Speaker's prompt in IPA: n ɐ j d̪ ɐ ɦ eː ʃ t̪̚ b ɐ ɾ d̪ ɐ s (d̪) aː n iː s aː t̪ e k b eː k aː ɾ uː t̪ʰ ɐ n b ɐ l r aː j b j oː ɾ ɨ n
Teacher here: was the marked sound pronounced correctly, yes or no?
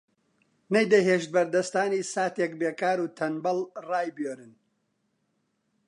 no